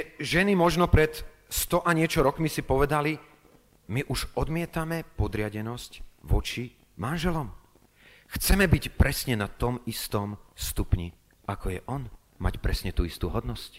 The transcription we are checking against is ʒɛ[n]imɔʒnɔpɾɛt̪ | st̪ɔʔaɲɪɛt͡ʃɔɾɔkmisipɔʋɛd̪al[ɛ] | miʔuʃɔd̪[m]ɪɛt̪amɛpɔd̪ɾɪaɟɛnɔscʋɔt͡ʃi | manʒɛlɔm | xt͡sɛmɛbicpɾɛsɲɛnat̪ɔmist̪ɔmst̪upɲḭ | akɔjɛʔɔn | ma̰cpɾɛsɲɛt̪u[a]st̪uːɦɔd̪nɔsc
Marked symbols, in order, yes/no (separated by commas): yes, no, yes, no